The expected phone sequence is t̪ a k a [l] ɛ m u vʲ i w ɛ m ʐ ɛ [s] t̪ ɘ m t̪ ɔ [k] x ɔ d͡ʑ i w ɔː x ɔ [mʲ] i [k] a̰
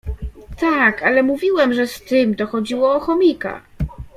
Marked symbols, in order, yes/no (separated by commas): yes, yes, no, yes, yes